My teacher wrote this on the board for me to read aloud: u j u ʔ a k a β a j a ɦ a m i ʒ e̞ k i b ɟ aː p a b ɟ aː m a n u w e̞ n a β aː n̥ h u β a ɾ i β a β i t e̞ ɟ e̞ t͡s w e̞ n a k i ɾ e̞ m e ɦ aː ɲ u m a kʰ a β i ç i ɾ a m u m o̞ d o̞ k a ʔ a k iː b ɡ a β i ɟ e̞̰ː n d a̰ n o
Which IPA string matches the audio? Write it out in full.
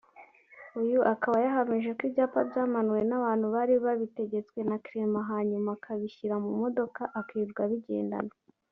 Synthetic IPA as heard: u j u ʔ a k a β a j a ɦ a m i ʒ e̞ k i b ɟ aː p a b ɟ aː m a n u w e̞ n a β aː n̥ h u β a ɾ i β a β i t e̞ ɟ e̞ t͡s w e̞ n a k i ɾ e̞ m a ɦ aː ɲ u m a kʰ a β i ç i ɾ a m u m o̞ d o̞ k a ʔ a k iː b ɡ a β i ɟ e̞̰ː n d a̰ n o